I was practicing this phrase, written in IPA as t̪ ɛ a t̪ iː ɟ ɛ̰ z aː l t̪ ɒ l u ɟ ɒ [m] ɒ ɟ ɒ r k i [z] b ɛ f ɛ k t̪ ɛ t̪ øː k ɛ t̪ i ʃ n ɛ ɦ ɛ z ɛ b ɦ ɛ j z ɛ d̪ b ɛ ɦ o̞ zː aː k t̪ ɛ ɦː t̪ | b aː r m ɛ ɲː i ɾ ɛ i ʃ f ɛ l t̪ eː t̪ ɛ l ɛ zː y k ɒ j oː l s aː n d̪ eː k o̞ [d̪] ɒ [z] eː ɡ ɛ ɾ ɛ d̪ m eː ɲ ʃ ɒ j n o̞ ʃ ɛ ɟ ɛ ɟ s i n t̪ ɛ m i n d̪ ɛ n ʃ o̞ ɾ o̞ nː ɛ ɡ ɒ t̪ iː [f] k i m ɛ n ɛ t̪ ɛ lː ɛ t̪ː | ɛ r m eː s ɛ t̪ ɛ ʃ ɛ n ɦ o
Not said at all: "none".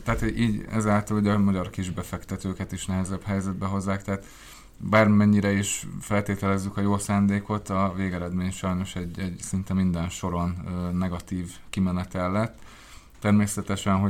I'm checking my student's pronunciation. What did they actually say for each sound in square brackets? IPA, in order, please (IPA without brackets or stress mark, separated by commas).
m, ʒ, t̪, v, v